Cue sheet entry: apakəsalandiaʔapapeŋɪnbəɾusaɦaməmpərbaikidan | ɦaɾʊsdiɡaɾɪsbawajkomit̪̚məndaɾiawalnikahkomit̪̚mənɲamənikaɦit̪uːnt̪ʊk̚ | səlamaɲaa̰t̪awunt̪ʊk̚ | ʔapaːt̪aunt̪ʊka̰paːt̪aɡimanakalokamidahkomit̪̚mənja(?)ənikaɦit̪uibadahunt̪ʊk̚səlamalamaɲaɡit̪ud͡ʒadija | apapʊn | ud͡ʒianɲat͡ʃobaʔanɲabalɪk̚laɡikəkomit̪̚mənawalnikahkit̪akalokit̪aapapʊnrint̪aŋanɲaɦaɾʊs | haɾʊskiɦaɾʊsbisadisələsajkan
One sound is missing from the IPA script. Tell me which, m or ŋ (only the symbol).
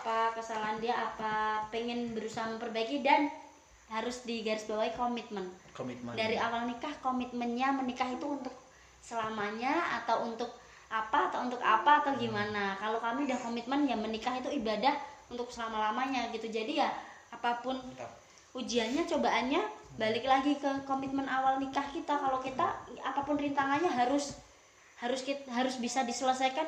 m